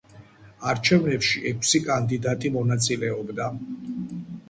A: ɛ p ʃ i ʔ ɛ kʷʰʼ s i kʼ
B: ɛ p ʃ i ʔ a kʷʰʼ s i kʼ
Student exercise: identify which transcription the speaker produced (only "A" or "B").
A